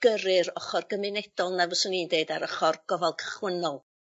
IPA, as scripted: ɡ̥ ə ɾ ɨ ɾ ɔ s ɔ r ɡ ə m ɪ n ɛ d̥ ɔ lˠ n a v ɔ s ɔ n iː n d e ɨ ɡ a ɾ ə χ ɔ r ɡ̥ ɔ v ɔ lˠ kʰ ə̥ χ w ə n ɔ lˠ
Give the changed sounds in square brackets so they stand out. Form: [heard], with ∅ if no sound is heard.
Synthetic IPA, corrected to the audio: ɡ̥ ə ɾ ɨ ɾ ɔ [χ] ɔ r ɡ ə m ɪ n ɛ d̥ ɔ lˠ n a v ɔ s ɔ n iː n d e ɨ [d] a ɾ ə χ ɔ r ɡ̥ ɔ v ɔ lˠ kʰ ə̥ χ w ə n ɔ lˠ